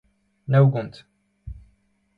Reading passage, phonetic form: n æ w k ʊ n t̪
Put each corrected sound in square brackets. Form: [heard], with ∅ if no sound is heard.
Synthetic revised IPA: n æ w [ɡ] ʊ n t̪